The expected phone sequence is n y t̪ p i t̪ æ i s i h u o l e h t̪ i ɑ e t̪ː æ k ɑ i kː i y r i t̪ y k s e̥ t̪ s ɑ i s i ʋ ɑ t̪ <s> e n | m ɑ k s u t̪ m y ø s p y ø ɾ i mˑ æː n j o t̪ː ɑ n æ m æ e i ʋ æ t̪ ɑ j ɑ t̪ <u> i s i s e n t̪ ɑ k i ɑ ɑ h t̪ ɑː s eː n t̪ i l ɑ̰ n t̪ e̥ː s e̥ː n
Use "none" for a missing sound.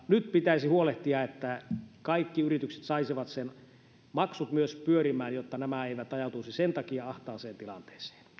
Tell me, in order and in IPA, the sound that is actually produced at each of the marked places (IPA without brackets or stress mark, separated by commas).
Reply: s, u